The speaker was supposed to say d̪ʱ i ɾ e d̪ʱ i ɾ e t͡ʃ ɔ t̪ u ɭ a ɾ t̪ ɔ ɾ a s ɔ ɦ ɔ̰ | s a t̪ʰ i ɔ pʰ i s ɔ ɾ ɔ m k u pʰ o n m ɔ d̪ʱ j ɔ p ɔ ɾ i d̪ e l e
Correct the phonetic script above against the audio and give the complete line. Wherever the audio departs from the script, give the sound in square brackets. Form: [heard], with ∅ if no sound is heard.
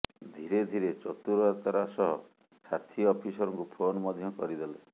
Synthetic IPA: d̪ʱ i ɾ e d̪ʱ i ɾ e t͡ʃ ɔ t̪ u [ɾ] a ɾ t̪ ɔ ɾ a s ɔ ɦ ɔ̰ | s a t̪ʰ i ɔ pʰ i s ɔ ɾ ɔ [ŋ] k u pʰ o n m ɔ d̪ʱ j ɔ [k] ɔ ɾ i d̪ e l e